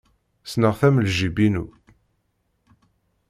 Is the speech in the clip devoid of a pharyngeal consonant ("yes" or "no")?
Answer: yes